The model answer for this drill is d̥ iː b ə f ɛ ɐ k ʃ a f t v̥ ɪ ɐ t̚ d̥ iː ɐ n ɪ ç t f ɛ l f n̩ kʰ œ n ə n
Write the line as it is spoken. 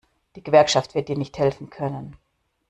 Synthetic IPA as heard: d̥ iː ɡ ə v ɛ ɐ k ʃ a f t v̥ ɪ ɐ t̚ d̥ iː ɐ n ɪ ç t h ɛ l f n̩ kʰ œ n ə n

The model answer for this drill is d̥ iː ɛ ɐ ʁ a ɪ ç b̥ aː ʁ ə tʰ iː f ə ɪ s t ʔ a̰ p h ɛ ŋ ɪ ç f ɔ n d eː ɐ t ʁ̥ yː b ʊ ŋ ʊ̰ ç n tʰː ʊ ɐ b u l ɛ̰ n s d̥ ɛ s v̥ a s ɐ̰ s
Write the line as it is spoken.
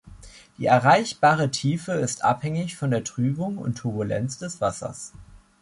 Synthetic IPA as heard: d̥ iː ɛ ɐ ʁ a ɪ ç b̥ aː ʁ ə tʰ iː f ə ɪ s t ʔ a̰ p h ɛ ŋ ɪ ç f ɔ n d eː ɐ t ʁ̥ yː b ʊ ŋ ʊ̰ n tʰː ʊ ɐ b u l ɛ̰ n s d̥ ɛ s v̥ a s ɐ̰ s

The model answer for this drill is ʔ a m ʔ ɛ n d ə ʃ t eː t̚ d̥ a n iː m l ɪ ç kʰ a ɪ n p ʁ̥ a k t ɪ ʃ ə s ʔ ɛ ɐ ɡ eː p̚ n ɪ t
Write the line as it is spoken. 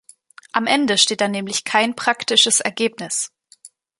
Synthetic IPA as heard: ʔ a m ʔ ɛ n d ə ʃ t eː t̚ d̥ a n ɛː m l ɪ ç kʰ a ɪ n p ʁ̥ a k t ɪ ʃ ə s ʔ ɛ ɐ ɡ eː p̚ n ɪ s

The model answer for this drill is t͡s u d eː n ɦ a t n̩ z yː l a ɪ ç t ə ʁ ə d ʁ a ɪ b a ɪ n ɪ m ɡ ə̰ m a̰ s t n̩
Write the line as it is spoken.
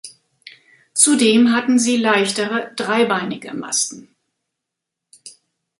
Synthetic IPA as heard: t͡s u d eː m ɦ a t n̩ z iː l a ɪ ç t ə ʁ ə d ʁ a ɪ b a ɪ n ɪ ɡ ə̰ m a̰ s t n̩

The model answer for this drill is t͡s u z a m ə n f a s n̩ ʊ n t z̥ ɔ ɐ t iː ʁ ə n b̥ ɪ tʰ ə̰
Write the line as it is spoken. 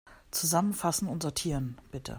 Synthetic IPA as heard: t͡s u z a m ə n f a s n̩ ʊ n t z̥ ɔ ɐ tʰ iː ʁ ə n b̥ ɪ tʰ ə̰

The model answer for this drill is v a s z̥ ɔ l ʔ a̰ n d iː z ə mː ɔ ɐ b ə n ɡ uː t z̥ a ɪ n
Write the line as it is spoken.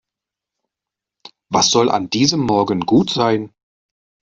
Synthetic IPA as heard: v a s z̥ ɔ l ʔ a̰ n d iː z ə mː ɔ ɐ ɡ ə n ɡ uː t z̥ a ɪ n

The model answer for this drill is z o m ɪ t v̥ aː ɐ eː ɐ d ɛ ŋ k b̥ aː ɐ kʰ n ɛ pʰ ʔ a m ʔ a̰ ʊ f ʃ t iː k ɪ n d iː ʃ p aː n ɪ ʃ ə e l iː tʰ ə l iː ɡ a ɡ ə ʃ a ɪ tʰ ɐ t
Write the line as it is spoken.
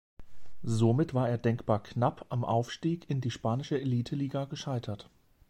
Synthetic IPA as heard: z o m ɪ t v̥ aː ɐ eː ɐ d ɛ ŋ k b̥ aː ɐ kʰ n a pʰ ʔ a m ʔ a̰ ʊ f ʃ t iː k ɪ n d iː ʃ p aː n ɪ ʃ ə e l iː tʰ ə l iː ɡ a ɡ ə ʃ a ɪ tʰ ɐ t

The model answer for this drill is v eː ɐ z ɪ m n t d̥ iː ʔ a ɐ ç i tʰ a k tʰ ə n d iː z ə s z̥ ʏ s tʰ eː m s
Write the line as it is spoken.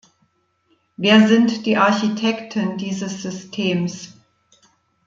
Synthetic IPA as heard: v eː ɐ z ɪ n t d̥ iː ʔ a ɐ ç i tʰ ɛ k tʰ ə n d iː z ə s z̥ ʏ s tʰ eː m s

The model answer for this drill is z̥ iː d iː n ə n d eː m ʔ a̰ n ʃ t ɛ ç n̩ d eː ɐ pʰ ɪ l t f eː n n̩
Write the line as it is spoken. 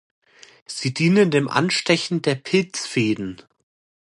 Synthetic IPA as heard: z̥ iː d iː n ə n d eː m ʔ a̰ n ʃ t ɛ ç n̩ d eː ɐ pʰ ɪ l t͡s f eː d n̩

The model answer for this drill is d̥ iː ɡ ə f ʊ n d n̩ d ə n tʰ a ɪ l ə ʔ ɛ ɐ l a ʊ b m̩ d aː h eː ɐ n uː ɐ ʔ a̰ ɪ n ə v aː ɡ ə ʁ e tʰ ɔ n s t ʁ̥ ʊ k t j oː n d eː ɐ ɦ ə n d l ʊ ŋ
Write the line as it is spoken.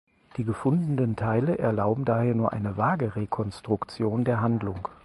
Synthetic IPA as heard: d̥ iː ɡ ə f ʊ n d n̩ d ə n tʰ a ɪ l ə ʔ ɛ ɐ l a ʊ b m̩ d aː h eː ɐ n uː ɐ ʔ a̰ ɪ n ə v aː ɡ ə ʁ e kʰ ɔ n s t ʁ̥ ʊ k t͡s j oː n d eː ɐ ɦ a n d l ʊ ŋ

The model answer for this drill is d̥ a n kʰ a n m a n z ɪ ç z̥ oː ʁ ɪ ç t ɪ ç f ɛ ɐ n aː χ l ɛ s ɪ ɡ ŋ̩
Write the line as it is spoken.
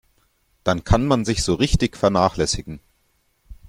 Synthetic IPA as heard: d̥ a n kʰ a n m a n z ɪ ç z̥ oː ʁ ɪ ç t ɪ ç f ɛ ɐ n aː χ l ɛ s ɪ ɡ ŋ̩

